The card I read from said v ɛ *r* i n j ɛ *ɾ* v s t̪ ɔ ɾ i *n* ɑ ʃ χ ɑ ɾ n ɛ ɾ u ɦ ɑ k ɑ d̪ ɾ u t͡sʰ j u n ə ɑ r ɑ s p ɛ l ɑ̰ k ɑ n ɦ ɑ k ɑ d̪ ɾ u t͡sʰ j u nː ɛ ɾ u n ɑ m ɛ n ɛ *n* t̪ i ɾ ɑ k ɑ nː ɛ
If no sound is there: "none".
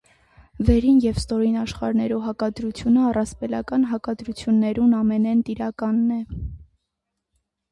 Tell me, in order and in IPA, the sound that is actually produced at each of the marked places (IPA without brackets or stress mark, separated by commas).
ɾ, none, n, n